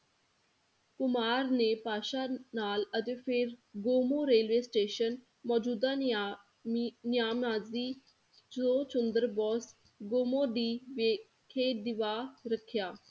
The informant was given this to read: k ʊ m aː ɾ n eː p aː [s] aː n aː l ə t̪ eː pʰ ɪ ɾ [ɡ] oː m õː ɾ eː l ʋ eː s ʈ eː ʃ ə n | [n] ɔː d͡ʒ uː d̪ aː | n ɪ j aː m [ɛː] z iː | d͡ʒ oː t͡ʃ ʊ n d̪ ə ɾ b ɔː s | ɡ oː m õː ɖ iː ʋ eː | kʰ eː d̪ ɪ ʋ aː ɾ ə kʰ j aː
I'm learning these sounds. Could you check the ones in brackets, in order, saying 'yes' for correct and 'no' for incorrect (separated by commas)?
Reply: no, yes, no, no